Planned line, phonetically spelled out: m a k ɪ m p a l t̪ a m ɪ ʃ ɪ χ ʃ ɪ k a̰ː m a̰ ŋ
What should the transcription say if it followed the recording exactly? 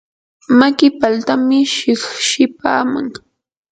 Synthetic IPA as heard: m a k ɪ p a l t̪ a m ɪ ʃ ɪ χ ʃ ɪ p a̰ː m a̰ ŋ